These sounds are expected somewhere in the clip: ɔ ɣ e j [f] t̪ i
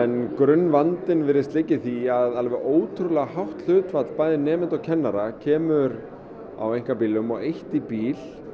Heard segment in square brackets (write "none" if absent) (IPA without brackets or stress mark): h